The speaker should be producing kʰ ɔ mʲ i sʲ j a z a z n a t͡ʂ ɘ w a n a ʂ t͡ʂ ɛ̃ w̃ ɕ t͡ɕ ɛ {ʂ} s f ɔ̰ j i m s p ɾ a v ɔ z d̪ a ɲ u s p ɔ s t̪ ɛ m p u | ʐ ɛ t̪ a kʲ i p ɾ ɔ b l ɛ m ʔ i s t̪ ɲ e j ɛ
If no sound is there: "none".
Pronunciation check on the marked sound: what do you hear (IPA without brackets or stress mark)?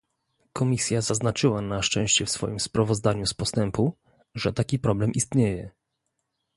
f